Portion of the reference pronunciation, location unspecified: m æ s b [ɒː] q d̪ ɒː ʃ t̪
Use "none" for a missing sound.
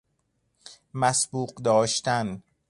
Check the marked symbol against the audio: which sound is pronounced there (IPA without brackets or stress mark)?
uː